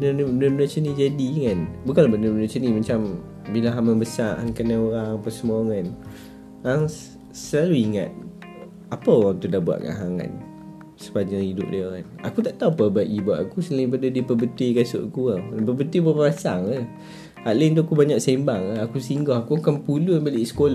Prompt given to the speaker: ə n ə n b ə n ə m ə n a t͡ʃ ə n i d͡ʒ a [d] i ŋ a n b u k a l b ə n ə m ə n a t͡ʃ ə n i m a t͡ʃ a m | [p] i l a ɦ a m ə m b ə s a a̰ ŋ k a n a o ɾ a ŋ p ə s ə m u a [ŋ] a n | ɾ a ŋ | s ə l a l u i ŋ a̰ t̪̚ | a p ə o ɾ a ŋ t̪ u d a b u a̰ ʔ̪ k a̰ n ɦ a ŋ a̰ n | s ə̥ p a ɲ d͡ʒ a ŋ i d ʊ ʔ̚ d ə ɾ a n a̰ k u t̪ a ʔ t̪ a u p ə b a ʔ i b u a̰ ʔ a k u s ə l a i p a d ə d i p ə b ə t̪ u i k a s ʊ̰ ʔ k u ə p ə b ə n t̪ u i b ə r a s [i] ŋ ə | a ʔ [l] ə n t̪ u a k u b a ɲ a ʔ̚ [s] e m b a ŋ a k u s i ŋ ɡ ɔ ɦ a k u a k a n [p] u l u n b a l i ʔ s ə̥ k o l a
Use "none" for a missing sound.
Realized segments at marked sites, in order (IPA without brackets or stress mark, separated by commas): d, b, ŋ, a, l, s, p